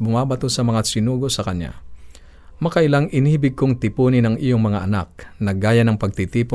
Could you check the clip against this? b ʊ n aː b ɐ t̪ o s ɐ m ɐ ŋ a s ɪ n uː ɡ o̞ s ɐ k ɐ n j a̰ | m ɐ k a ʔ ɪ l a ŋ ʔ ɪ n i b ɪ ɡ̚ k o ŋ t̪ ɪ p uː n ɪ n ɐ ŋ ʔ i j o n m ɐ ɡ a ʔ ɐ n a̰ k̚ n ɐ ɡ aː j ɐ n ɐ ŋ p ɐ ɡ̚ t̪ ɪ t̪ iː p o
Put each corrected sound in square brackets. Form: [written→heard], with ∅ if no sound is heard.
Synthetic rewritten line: b ʊ [n→m] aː b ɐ t̪ o s ɐ m ɐ ŋ a s ɪ n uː ɡ o̞ s ɐ k ɐ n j a̰ | m ɐ k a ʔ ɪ l a ŋ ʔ ɪ n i b ɪ ɡ̚ k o ŋ t̪ ɪ p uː n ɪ n ɐ ŋ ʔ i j o [n→ŋ] m ɐ [ɡ→ŋ] a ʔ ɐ n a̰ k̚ n ɐ ɡ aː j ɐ n ɐ ŋ p ɐ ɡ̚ t̪ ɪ t̪ iː p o